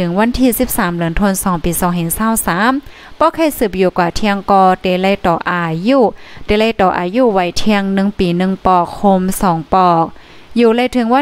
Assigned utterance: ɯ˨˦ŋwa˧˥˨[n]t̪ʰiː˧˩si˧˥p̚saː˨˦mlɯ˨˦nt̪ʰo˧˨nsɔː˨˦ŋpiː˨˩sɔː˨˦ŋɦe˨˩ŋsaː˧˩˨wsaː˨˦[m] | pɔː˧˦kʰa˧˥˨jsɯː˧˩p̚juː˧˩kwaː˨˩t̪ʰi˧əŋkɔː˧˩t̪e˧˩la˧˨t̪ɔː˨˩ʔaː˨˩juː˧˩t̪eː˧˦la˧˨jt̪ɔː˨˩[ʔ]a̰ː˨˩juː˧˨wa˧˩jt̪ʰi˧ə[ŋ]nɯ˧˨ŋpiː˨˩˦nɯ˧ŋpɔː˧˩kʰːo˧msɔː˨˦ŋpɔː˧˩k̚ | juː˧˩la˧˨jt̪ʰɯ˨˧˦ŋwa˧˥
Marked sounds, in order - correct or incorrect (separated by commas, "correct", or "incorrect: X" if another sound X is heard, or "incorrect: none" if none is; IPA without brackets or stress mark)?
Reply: correct, correct, correct, correct